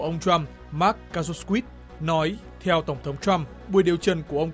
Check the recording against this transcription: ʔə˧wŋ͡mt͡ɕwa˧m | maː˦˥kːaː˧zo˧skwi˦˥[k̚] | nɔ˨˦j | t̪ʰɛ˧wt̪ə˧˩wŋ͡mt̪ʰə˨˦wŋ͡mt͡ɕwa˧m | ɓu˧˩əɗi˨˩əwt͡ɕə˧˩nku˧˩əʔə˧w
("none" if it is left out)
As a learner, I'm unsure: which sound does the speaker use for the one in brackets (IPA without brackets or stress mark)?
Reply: t̚